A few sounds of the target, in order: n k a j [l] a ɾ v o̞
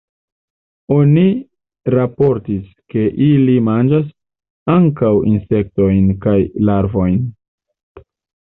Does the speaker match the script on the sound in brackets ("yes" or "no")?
yes